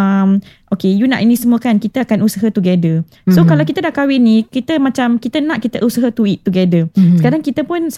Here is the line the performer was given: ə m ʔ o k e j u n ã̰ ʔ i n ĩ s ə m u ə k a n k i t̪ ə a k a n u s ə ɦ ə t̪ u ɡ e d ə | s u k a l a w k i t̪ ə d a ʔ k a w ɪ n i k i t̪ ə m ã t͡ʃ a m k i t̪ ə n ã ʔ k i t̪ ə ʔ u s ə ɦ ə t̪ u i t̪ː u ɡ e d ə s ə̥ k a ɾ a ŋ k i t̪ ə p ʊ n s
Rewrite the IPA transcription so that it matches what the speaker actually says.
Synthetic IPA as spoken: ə m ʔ o k e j u n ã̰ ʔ i n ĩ s ə m u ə k a n k i t̪ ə a k a n u s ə ɦ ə t̪ u ɡ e d ə | s o k a l a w k i t̪ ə d a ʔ k a w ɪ n i k i t̪ ə m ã t͡ʃ a m k i t̪ ə n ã ʔ k i t̪ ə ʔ u s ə ɦ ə t̪ u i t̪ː u ɡ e d ə s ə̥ k a ɾ a ŋ k i t̪ ə p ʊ n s